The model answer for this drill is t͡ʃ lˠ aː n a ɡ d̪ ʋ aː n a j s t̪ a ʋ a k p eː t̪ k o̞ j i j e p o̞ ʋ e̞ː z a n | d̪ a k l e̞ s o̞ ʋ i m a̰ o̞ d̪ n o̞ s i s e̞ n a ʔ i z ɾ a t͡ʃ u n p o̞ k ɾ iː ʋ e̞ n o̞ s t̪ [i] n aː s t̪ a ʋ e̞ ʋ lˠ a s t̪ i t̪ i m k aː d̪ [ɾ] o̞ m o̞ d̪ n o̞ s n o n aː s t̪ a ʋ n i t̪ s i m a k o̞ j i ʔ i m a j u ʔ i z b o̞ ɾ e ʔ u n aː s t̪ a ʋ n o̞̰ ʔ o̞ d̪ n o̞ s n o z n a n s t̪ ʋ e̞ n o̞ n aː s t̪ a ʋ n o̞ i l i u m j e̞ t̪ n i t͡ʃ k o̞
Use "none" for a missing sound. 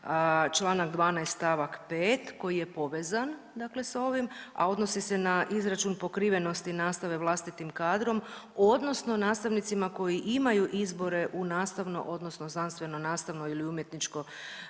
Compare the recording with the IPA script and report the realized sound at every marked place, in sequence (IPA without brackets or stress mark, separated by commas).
i, ɾ